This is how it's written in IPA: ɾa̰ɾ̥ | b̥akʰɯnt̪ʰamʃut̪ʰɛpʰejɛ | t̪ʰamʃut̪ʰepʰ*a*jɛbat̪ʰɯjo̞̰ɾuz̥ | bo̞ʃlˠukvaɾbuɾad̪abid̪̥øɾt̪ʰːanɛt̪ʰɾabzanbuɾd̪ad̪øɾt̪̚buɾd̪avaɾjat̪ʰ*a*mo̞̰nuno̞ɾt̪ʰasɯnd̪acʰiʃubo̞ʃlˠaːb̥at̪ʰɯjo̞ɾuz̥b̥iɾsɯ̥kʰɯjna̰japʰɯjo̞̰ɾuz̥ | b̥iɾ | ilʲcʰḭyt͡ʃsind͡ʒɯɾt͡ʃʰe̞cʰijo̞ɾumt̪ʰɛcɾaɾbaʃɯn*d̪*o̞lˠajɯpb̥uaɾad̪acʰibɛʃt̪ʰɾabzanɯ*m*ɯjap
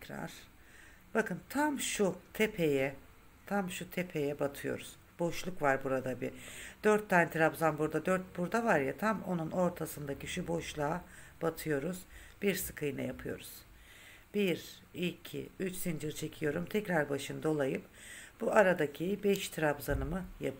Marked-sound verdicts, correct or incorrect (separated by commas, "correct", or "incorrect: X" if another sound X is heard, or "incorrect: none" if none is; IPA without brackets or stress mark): incorrect: e, correct, correct, correct